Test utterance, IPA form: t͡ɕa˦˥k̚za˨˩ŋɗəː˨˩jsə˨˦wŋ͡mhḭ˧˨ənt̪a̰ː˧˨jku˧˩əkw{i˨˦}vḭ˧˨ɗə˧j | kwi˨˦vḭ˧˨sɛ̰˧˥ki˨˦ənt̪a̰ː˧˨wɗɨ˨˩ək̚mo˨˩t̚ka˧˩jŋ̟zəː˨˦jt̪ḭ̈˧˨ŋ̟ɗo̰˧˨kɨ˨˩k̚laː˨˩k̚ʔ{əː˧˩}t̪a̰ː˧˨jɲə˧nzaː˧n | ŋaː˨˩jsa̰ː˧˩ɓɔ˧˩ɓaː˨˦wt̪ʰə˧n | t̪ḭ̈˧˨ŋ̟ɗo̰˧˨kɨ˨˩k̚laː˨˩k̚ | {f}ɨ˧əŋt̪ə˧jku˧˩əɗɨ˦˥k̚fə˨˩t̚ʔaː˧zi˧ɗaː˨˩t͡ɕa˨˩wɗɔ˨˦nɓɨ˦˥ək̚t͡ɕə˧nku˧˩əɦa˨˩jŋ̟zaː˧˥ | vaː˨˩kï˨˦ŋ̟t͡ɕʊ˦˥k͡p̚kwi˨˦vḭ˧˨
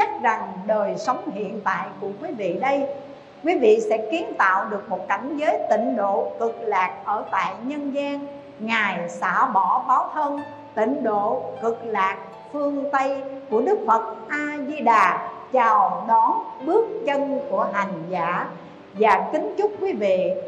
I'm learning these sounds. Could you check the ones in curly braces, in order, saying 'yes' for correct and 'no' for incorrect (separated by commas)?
yes, yes, yes